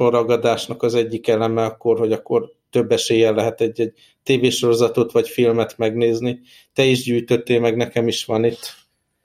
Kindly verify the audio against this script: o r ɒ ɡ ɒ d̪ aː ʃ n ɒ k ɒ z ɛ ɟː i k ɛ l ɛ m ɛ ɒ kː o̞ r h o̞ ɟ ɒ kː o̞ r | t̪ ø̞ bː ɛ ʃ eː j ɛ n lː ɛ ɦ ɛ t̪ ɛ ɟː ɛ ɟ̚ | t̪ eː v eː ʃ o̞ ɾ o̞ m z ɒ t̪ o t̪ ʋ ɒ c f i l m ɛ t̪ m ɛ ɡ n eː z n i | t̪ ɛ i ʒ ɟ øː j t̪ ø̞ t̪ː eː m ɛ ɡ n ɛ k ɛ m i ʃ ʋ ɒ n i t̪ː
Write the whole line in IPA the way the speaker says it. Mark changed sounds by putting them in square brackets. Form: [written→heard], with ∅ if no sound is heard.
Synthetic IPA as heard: o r ɒ ɡ ɒ d̪ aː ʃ n ɒ k ɒ z ɛ ɟː i k ɛ l ɛ m ɛ ɒ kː o̞ r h o̞ ɟ ɒ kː o̞ r | t̪ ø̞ bː ɛ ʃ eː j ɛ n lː ɛ ɦ ɛ t̪ ɛ ɟː ɛ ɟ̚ | t̪ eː v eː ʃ o̞ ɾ o̞ [m→∅] z ɒ t̪ o t̪ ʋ ɒ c f i l m ɛ t̪ m ɛ ɡ n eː z n i | t̪ ɛ i ʒ ɟ [øː→yː] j t̪ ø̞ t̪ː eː m ɛ ɡ n ɛ k ɛ m i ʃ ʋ ɒ n i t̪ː